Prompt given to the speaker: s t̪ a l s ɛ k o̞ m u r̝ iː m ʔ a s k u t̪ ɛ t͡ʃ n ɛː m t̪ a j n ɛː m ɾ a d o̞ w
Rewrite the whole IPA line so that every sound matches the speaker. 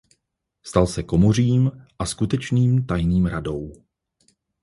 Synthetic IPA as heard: s t̪ a l s ɛ k o̞ m o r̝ iː m ʔ a s k u t̪ ɛ t͡ʃ n iː m t̪ a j n iː m ɾ a d o̞ w